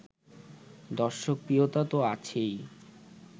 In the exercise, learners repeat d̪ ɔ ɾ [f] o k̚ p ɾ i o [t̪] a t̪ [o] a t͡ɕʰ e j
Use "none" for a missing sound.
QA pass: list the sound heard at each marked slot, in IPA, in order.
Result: ʃ, t̪, o

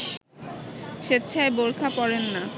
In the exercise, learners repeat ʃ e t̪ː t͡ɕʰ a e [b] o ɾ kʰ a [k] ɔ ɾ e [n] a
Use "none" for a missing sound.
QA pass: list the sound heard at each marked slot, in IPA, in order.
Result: b, p, nː

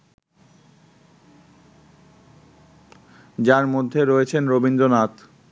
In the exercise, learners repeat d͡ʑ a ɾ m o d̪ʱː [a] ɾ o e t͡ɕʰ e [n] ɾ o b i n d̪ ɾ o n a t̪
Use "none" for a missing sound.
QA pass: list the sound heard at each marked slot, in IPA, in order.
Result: e, n

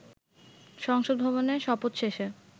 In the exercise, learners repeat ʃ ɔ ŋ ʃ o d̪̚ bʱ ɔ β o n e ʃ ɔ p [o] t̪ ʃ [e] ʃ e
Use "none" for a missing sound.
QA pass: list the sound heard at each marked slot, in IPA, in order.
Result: o, e

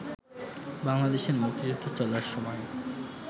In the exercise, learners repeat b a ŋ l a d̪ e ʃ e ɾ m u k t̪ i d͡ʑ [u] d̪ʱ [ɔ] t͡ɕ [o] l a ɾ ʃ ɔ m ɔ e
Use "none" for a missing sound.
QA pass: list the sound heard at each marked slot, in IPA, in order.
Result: u, o, ɔ

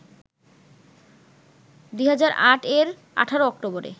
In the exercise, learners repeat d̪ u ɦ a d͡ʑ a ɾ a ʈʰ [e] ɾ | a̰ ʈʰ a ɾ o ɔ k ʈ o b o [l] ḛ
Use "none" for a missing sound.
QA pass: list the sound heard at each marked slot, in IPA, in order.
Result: e, ɾ

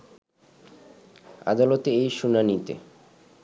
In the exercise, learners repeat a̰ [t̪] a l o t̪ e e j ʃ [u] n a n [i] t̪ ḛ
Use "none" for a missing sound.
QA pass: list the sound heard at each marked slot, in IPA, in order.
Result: d̪, u, i

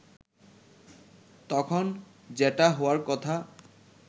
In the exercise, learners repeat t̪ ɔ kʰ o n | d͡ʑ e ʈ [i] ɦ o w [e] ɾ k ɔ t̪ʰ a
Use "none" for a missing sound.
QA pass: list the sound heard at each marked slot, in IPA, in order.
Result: a, a

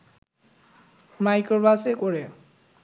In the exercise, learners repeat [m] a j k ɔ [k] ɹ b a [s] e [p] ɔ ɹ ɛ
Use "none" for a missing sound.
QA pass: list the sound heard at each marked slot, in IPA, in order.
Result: m, none, s, k

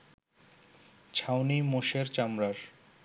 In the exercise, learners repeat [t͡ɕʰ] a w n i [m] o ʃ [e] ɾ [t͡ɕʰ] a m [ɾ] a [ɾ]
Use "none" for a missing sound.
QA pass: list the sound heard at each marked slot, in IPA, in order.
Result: t͡ɕʰ, m, e, t͡ɕ, ɾ, ɾ

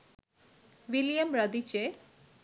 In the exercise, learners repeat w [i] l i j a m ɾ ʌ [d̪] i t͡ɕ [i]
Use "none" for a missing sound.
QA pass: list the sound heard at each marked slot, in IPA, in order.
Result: i, d̪, e

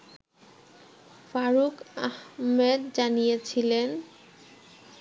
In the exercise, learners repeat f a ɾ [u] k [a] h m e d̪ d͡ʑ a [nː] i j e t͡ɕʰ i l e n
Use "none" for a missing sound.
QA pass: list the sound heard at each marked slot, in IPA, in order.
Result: u, a, n

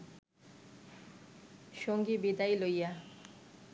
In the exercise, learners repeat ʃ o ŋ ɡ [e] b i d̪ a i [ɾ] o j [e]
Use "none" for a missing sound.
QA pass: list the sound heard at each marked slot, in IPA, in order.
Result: i, l, a

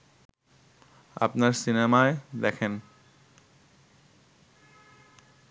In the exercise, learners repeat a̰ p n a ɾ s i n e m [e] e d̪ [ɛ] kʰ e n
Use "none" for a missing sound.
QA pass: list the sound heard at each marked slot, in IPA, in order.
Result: a, ɛ

